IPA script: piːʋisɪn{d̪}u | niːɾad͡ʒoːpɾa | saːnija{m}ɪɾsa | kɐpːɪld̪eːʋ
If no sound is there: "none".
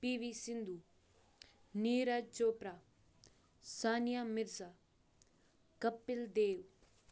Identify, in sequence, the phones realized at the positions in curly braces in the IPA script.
d̪, m

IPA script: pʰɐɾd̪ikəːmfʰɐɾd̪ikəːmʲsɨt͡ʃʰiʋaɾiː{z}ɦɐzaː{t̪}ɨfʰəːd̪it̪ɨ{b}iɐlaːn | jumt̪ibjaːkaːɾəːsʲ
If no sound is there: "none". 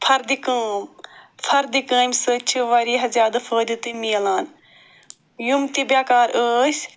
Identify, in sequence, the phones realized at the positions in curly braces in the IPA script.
none, d̪, m

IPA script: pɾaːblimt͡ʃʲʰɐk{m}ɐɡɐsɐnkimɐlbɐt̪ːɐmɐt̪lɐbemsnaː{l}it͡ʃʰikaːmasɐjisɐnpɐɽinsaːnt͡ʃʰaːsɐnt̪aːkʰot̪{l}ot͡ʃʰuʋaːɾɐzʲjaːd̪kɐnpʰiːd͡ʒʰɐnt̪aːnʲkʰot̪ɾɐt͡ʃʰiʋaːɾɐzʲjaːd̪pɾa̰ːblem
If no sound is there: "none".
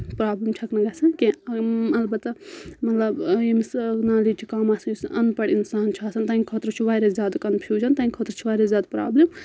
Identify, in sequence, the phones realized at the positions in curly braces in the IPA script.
n, l, ɾ

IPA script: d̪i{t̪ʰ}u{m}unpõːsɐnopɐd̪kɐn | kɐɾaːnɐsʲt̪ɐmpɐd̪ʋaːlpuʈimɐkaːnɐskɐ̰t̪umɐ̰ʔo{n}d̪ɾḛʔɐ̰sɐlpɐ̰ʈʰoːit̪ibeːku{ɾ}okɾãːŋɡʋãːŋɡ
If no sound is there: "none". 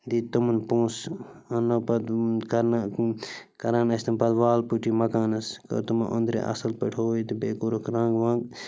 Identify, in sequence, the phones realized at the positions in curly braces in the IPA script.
t̪, m, n, ɾ

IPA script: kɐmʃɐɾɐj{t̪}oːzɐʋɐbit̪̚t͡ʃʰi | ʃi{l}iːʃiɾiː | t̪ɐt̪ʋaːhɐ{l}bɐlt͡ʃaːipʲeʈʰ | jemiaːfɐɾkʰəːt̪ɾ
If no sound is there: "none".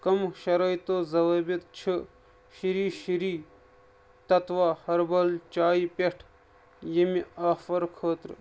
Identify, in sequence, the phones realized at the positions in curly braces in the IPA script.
t̪, ɾ, ɾ

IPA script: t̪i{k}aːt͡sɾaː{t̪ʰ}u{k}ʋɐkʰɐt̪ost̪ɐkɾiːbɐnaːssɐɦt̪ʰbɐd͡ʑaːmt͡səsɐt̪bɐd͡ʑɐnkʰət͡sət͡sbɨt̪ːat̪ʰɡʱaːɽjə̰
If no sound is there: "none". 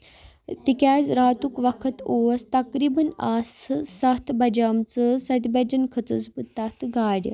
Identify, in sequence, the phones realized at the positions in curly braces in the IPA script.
k, t̪, k

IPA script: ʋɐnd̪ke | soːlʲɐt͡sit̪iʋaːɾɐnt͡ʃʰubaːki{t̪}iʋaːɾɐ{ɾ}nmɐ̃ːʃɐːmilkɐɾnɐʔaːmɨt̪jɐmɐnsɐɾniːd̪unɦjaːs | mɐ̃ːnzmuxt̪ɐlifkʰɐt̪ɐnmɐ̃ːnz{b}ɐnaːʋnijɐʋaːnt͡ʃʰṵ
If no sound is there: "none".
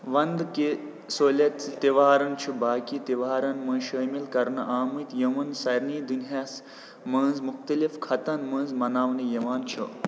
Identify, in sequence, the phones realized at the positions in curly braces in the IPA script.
t̪, none, m

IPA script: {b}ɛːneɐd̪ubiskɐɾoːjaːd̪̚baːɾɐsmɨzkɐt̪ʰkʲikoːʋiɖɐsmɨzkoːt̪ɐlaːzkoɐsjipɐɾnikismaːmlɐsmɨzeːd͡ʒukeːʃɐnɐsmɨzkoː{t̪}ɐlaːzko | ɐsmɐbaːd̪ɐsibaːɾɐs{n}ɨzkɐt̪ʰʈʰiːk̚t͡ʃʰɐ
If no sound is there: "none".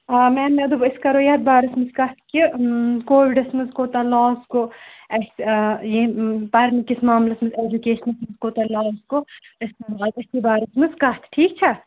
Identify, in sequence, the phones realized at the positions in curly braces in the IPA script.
m, t̪, m

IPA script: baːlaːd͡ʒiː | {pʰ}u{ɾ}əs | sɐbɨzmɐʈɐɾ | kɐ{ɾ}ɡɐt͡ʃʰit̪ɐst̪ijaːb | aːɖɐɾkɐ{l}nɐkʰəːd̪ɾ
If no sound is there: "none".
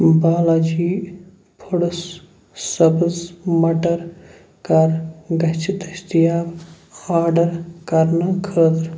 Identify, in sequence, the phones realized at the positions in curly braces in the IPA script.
pʰ, ɽ, ɾ, ɾ

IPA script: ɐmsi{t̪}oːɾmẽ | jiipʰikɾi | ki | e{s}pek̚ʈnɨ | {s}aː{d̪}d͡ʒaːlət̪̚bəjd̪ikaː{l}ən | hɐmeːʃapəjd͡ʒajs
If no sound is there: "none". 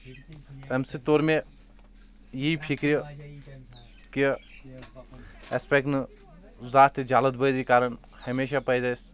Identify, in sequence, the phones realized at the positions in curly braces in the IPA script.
t̪, s, z, t̪, ɾ

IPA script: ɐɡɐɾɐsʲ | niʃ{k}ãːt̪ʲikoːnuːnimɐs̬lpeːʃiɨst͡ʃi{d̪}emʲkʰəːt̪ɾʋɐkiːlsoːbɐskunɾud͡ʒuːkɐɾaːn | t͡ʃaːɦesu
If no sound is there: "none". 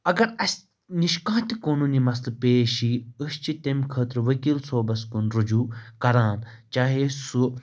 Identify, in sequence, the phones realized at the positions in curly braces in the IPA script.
k, t̪

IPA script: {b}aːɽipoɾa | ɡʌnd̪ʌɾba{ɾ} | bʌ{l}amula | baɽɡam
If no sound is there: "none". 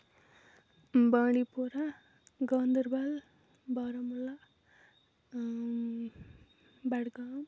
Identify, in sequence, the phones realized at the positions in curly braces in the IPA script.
b, l, ɾ

